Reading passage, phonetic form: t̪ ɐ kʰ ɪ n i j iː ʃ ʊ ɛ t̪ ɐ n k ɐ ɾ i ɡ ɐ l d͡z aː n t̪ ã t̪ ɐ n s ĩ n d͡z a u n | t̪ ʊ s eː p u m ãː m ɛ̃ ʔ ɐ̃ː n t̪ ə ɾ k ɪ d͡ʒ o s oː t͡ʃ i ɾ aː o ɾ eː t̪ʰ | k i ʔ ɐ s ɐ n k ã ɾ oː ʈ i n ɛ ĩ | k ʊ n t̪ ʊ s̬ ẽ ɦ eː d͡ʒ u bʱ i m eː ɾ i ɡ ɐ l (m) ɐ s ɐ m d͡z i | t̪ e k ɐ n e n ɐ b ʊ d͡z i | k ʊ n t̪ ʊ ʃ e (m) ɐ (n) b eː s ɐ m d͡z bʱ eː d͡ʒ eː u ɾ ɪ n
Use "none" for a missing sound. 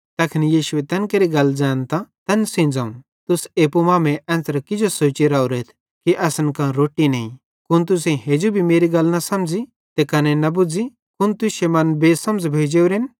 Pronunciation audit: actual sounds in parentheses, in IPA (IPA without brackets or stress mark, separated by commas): n, m, n